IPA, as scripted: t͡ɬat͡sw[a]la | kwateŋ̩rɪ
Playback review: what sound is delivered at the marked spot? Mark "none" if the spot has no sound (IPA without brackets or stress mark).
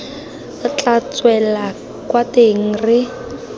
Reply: ɛ